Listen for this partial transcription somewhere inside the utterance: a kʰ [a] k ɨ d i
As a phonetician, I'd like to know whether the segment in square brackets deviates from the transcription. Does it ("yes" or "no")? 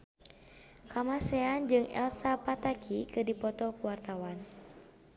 yes